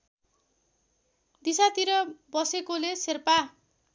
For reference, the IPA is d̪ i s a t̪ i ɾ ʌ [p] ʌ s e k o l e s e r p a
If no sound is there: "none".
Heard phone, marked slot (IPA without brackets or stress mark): b